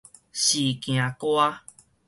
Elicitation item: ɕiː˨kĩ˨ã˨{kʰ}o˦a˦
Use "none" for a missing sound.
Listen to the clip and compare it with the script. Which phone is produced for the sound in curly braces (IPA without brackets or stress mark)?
k